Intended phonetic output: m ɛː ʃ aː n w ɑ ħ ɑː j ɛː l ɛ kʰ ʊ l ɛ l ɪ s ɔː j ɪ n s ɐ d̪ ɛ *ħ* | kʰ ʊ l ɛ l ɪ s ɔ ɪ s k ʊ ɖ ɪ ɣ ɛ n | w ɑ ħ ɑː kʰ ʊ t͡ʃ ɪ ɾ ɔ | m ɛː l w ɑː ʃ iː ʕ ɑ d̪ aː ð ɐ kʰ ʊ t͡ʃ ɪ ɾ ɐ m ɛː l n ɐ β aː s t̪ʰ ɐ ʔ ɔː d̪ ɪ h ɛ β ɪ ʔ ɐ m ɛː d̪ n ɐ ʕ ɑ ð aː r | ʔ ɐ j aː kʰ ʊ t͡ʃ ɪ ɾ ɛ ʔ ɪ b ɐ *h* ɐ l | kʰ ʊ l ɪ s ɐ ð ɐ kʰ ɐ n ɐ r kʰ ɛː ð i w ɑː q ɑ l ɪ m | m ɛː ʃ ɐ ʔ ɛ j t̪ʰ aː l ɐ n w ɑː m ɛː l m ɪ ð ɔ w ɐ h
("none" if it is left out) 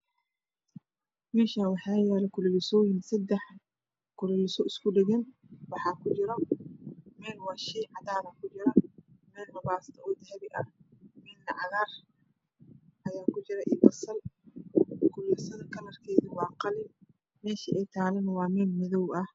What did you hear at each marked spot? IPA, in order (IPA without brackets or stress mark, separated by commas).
ħ, s